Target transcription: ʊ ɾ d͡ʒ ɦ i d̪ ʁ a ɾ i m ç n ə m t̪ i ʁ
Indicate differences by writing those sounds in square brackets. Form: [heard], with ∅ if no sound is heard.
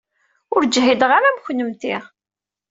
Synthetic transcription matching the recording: ʊ ɾ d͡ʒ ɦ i d̪ ʁ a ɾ [æ] m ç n ə m t̪ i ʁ